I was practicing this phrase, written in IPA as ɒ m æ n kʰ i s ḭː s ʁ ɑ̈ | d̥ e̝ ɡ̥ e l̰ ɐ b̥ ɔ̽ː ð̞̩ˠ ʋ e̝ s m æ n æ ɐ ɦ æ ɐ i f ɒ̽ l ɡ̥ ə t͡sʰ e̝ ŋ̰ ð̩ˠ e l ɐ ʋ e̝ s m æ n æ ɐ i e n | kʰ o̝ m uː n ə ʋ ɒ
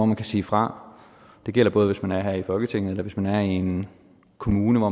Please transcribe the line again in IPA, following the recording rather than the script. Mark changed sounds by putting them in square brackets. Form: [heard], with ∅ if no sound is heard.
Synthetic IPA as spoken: ɒ m æ n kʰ [æ] s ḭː [f] ʁ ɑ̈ | d̥ e̝ ɡ̥ e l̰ ɐ b̥ ɔ̽ː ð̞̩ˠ ʋ e̝ s m æ n æ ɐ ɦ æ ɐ i f ɒ̽ l ɡ̥ ə t͡sʰ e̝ ŋ̰ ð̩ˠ e l ɐ ʋ e̝ s m æ n æ ɐ i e n | kʰ o̝ m uː n ə ʋ ɒ